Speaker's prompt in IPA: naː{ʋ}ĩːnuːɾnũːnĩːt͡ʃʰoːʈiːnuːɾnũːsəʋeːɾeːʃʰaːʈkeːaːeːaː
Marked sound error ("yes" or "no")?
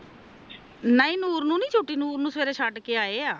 yes